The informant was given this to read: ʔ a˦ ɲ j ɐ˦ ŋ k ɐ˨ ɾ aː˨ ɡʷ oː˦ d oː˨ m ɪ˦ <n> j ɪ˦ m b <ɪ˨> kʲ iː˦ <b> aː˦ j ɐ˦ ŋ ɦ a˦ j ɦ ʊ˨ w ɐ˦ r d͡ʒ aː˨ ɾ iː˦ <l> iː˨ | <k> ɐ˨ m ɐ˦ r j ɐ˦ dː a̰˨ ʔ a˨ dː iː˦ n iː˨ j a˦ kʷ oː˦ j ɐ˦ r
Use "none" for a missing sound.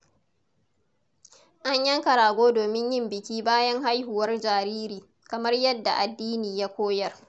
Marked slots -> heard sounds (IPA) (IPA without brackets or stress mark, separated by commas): ɲ, ɪ˨, b, ɾ, k